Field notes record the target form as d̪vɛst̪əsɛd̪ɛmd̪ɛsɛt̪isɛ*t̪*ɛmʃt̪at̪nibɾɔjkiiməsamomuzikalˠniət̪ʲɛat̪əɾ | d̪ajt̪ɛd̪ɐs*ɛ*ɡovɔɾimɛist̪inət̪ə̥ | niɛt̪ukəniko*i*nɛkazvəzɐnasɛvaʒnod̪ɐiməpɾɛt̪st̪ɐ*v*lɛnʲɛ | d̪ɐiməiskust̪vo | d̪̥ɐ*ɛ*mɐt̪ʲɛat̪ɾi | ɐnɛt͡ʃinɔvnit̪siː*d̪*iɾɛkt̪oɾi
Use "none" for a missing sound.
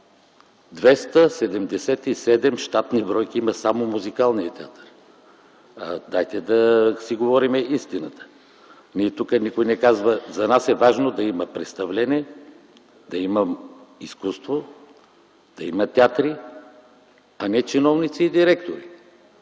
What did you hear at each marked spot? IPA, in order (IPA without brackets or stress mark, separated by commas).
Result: d̪, i, j, v, i, d̪